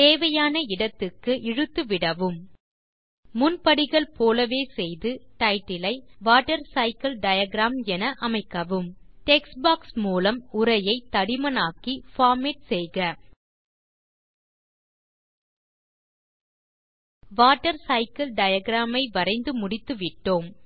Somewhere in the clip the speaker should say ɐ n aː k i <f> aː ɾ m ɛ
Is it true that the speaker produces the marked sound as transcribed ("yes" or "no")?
yes